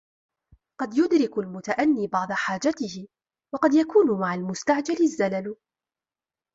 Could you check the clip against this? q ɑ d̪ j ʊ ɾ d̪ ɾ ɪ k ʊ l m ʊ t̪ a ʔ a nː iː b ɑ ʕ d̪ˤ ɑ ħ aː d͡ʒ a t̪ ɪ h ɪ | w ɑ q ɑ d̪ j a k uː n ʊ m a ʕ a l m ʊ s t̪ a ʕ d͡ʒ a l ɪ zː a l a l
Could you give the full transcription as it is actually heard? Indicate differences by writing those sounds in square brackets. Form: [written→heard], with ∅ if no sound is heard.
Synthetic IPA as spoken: q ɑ d̪ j ʊ [ɾ→∅] d̪ ɾ ɪ k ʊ l m ʊ t̪ a ʔ a nː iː b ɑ ʕ d̪ˤ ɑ ħ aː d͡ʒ a t̪ ɪ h ɪ | w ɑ q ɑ d̪ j a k uː n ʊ m a ʕ a l m ʊ s t̪ a ʕ d͡ʒ a l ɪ zː a l a l